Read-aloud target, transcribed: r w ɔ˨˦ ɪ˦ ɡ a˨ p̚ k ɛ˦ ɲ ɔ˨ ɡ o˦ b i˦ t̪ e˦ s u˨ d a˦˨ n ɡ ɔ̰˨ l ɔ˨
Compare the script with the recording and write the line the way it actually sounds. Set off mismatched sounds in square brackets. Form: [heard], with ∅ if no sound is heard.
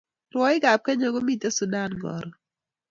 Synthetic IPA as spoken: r w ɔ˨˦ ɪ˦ ɡ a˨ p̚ k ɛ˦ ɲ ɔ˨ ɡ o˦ [m] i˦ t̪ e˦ s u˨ d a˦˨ n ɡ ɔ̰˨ [ɾ] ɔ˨

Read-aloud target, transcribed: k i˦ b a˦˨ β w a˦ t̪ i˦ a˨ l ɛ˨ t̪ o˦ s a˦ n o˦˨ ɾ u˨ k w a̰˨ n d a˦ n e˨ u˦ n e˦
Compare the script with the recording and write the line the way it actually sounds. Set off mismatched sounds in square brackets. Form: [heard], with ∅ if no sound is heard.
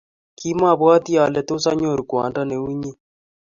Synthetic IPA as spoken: k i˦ [m] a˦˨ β w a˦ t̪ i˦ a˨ l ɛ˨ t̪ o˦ s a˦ [ɲ] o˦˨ ɾ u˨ k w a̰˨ n d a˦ n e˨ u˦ [ɲ] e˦

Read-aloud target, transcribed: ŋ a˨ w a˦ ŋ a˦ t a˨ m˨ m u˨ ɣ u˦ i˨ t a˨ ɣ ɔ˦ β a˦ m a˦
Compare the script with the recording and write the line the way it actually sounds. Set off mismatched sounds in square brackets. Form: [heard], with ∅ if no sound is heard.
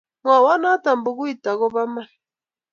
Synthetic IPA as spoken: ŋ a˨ w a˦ [n] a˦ t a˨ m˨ [b] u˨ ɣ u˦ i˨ t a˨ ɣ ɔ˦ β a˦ m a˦

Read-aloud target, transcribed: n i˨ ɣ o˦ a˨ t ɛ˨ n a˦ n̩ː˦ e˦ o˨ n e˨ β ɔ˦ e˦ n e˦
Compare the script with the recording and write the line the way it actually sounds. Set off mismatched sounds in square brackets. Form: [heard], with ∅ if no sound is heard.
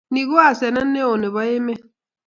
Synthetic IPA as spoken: n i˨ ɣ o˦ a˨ [s] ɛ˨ n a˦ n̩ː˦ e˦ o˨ n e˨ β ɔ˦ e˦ [m] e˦

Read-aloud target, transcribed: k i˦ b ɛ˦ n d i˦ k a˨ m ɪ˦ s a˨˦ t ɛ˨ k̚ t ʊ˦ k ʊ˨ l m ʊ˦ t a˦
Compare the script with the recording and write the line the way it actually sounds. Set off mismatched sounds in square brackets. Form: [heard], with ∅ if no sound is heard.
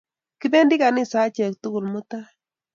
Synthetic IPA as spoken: k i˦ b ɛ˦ n d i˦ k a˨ [n] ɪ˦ s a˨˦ [t͡ʃ] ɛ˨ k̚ t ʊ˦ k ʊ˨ l m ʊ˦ t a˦

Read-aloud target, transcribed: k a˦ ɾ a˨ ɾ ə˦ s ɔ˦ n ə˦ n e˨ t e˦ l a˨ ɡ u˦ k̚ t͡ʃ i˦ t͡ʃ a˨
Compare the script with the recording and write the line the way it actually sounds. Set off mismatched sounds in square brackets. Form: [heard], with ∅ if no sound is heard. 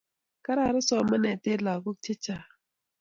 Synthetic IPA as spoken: k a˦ ɾ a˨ ɾ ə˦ s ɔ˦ [m] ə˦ n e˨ t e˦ l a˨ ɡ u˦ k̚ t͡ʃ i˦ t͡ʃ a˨

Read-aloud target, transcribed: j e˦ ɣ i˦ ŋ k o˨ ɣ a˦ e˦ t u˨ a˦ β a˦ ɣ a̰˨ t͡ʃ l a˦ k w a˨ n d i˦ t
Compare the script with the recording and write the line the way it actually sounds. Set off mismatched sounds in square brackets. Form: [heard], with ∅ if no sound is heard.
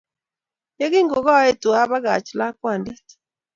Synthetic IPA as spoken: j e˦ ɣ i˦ ŋ [ɡ] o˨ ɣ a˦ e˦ t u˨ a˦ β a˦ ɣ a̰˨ t͡ʃ l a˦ k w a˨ n d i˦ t

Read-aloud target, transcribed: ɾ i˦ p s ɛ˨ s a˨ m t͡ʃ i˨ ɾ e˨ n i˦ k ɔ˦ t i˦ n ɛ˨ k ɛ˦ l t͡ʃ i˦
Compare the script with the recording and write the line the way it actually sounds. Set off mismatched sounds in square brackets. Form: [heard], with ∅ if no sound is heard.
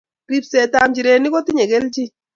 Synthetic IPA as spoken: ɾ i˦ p s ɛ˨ [t] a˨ m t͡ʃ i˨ ɾ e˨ n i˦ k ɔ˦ t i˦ [ɲ] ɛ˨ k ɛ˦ l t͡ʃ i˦

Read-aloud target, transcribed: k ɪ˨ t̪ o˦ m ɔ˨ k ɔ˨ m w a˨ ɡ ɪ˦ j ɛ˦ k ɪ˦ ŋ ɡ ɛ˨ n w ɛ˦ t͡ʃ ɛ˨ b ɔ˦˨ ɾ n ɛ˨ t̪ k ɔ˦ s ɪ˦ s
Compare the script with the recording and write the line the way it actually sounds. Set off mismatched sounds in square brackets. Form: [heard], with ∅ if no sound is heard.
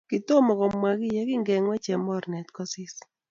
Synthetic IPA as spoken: k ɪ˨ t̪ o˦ m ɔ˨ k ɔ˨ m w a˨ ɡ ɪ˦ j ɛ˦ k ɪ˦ ŋ ɡ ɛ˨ [ŋ] w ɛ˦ t͡ʃ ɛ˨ [m] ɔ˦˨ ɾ n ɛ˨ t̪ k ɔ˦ s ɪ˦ s

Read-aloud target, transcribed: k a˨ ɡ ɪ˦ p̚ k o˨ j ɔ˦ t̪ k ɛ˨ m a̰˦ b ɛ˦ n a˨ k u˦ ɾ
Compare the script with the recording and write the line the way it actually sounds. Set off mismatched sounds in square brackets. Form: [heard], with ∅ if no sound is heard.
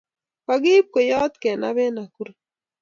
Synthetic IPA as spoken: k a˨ ɡ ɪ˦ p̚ k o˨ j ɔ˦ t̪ k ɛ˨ [n] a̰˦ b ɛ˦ n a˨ k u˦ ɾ

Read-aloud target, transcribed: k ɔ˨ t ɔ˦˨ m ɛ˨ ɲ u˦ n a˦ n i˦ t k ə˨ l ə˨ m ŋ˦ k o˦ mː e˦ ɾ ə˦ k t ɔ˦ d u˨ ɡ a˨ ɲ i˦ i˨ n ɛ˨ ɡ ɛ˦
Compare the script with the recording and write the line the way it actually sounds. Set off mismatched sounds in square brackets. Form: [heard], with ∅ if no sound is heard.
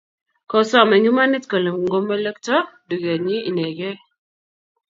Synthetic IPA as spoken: k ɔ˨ [s] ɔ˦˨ m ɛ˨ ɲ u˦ [m] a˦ n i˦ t k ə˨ l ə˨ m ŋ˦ [ɡ] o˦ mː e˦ [l] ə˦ k t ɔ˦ d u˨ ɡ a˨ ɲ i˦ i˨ n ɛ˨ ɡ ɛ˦

